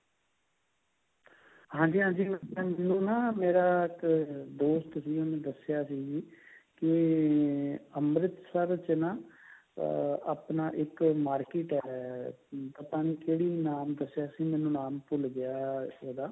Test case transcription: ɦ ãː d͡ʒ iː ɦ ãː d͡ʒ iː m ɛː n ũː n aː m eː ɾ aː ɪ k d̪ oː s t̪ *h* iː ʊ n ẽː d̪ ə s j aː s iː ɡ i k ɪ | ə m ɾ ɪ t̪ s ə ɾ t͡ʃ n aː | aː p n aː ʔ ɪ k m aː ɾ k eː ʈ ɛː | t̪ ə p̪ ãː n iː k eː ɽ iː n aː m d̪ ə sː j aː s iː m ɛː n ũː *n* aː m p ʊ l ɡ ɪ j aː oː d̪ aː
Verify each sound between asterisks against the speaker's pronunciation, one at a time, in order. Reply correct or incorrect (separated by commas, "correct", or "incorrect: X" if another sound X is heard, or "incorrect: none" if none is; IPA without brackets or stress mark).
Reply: incorrect: s, correct